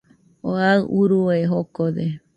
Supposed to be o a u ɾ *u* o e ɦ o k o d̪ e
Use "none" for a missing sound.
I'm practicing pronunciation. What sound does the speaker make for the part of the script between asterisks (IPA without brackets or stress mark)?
u